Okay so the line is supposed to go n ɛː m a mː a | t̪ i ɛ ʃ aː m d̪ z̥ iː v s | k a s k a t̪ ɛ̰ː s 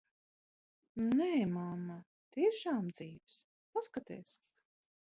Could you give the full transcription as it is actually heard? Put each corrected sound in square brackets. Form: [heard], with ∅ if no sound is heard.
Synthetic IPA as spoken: n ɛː m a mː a | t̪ i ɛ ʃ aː m d̪ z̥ iː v s | [p] a s k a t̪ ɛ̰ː s